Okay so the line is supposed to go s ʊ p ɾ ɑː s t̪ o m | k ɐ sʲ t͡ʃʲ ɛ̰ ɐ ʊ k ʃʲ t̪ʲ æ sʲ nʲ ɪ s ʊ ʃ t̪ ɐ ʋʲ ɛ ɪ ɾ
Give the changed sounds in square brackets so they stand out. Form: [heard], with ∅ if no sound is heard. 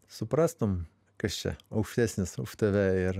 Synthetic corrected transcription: s ʊ p ɾ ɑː s t̪ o m | k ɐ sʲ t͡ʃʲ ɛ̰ ɐ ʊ k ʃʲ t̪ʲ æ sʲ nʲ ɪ s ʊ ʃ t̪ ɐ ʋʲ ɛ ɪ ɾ